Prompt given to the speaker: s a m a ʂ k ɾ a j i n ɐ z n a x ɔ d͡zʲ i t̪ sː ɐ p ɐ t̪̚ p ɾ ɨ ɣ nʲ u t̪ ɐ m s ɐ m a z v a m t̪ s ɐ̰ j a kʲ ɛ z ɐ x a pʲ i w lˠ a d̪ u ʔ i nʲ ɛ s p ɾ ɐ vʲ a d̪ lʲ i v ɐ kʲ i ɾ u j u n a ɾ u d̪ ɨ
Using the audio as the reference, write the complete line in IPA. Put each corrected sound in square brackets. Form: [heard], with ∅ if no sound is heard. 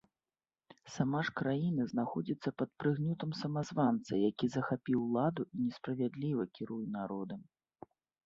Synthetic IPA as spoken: s a m a ʂ k ɾ a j i n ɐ z n a x ɔ d͡zʲ i t̪ sː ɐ p ɐ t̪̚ p ɾ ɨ ɣ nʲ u t̪ ɐ m s ɐ m a z v a [n] t̪ s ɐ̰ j a kʲ [i] z ɐ x a pʲ i w lˠ a d̪ u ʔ i nʲ ɛ s p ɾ ɐ vʲ a d̪ lʲ i v ɐ kʲ i ɾ u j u n a ɾ [ɔ] d̪ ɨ